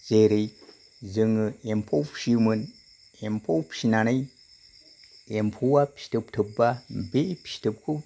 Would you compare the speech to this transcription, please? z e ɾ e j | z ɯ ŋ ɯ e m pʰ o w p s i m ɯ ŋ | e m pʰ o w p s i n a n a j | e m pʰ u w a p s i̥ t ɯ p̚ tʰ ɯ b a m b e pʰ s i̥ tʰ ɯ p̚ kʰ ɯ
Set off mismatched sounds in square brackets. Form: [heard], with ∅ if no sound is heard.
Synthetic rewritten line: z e ɾ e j | z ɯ ŋ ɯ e m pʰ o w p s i m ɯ [n] | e m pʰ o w p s i n a n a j | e m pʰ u w a p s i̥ t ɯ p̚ tʰ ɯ b a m b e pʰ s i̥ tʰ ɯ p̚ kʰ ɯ